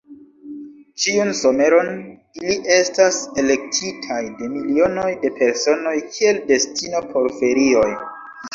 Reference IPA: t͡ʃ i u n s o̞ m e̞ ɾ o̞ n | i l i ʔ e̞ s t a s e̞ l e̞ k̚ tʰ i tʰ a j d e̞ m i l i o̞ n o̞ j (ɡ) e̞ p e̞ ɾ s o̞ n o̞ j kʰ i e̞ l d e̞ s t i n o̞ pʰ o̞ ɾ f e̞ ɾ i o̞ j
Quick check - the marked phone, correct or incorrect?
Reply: incorrect